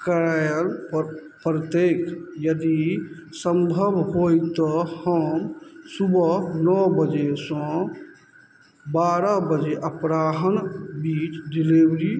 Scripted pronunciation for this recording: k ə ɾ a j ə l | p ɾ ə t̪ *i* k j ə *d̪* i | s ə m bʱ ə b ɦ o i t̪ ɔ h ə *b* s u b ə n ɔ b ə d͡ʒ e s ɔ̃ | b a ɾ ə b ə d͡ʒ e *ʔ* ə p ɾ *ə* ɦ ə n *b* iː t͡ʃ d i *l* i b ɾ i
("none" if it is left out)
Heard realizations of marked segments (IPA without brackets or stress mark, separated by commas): e, d̪, m, ʔ, a, b, l